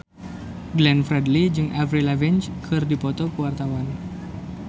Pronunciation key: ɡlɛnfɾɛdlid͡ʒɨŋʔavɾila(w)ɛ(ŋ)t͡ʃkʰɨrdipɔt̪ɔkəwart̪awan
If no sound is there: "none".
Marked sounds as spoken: v, n

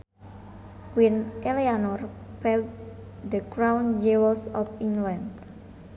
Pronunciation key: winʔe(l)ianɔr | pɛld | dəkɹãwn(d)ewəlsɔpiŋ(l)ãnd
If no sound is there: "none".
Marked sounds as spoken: l, d͡ʒ, l

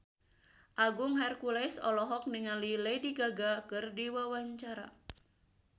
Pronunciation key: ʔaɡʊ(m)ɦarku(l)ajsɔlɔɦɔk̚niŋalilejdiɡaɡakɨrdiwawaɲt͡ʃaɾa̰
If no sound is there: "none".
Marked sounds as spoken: ŋ, l

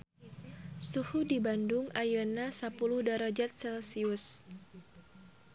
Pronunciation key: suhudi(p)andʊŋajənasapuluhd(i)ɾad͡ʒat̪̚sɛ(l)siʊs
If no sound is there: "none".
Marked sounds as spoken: b, a, l

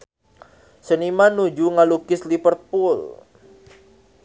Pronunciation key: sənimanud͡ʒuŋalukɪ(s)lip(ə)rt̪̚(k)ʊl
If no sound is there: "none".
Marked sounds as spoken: s, ə, p

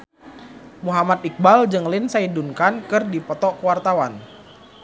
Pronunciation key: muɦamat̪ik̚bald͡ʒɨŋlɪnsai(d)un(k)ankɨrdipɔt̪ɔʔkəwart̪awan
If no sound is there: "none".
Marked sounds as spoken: d, k

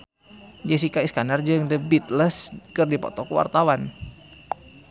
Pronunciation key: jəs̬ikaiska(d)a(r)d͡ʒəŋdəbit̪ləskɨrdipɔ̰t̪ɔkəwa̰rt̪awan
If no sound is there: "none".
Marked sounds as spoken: n, r

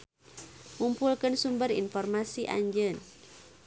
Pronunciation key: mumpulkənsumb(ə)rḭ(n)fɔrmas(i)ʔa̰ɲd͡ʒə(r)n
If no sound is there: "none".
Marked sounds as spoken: ə, n, i, none

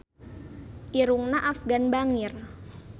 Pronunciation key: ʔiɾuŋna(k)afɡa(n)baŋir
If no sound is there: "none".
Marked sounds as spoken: ʔ, n

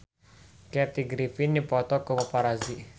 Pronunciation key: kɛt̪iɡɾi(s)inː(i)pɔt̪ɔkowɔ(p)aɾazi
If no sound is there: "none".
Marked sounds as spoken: f, i, p

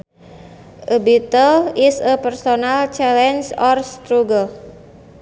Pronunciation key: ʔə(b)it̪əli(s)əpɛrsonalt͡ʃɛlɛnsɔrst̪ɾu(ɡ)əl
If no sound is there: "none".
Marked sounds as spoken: b, s, ɡ

